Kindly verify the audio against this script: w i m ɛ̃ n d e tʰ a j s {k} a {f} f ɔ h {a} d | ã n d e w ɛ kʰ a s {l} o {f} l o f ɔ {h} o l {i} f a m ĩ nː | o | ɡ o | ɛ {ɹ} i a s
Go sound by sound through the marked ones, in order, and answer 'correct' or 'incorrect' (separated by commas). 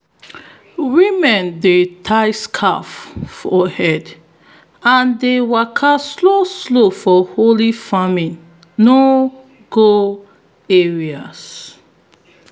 incorrect, correct, incorrect, correct, incorrect, correct, correct, correct